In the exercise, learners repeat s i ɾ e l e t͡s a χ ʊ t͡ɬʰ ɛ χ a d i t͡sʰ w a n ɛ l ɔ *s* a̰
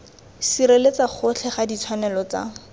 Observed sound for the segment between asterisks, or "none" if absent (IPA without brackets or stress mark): t͡s